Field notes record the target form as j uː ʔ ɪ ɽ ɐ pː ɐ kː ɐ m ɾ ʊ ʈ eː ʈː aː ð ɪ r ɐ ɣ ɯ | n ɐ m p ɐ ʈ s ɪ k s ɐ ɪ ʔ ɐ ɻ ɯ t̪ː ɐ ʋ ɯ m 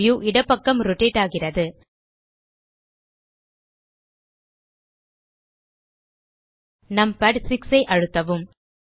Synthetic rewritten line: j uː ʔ ɪ ɽ ɐ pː ɐ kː ɐ m ɾ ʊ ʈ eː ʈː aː ɣ ɪ r ɐ ð ɯ | n ɐ m p ɐ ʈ s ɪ k s ɐ ɪ ʔ ɐ ɻ ɯ t̪ː ɐ ʋ ɯ m